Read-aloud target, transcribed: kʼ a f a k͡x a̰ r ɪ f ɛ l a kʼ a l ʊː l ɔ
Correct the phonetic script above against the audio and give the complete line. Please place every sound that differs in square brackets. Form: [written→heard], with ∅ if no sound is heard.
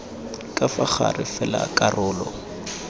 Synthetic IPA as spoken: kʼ a f a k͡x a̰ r ɪ f ɛ l a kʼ a [l→r] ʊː l ɔ